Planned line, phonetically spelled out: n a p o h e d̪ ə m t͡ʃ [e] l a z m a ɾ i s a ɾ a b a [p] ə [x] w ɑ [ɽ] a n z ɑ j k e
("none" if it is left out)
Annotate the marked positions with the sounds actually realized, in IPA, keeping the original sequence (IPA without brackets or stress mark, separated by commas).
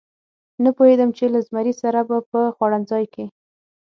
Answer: e, p, x, ɽ